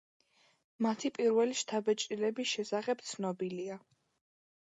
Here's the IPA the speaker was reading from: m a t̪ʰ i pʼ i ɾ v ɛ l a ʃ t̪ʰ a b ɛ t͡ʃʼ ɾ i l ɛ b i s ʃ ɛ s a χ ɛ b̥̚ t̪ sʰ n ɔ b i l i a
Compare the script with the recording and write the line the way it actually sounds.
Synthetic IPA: m a t̪ʰ i pʼ i ɾ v ɛ l i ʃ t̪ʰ a b ɛ t͡ʃʼ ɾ i l ɛ b i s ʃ ɛ s a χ ɛ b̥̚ t̪ sʰ n ɔ b i l i a